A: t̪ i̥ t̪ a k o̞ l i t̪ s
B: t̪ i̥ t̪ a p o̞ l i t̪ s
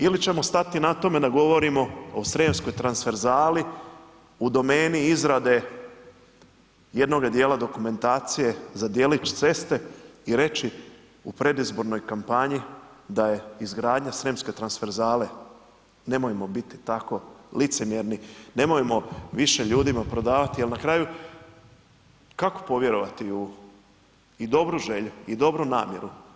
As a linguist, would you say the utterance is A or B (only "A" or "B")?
A